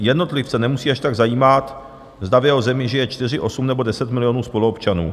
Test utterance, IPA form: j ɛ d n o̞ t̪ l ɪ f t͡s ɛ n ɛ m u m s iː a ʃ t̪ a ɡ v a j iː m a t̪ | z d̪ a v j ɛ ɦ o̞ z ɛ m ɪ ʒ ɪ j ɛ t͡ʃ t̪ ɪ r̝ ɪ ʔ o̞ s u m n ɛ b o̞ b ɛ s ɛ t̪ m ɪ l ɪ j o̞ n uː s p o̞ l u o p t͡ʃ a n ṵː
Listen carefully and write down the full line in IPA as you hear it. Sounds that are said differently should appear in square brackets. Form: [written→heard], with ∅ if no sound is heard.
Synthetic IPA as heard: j ɛ d n o̞ t̪ l ɪ f t͡s ɛ n ɛ m u [m→∅] s iː a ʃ t̪ a ɡ [v→z] a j iː m a t̪ | z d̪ a v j ɛ ɦ o̞ z ɛ m ɪ ʒ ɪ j ɛ t͡ʃ t̪ ɪ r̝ ɪ ʔ o̞ s u m n ɛ b o̞ [b→d] ɛ s ɛ t̪ m ɪ l ɪ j o̞ n uː s p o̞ l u o p t͡ʃ a n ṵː